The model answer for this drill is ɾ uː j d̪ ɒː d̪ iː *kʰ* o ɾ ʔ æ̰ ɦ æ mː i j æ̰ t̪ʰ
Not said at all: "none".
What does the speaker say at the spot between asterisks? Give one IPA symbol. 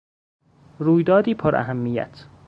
pʰ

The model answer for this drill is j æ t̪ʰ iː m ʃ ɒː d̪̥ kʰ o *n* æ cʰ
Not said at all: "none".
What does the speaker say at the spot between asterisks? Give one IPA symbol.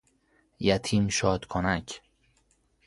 n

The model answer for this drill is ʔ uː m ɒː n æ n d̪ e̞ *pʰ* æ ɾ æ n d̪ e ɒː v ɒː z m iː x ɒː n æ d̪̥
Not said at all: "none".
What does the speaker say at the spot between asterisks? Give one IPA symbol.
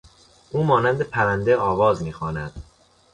pʰ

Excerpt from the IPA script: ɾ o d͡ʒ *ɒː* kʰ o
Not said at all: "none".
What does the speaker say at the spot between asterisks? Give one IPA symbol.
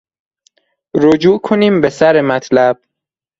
uː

